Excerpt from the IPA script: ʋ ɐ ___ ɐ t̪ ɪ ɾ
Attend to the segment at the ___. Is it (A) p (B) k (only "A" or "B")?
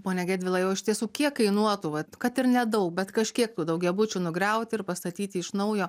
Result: B